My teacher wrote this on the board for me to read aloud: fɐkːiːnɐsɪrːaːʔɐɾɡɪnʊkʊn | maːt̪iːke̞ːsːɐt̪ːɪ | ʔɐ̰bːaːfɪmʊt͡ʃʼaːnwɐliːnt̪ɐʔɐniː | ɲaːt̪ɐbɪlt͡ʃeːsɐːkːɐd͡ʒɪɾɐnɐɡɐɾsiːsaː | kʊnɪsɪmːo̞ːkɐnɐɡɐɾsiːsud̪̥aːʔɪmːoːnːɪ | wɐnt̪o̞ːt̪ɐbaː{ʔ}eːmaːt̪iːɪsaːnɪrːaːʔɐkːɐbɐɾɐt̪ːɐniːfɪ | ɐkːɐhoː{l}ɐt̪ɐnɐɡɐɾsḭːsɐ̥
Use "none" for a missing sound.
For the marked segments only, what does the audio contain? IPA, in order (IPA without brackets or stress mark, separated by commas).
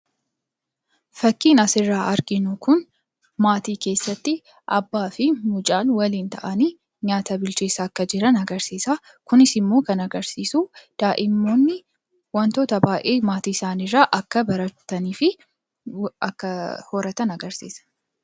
ʔ, ɾ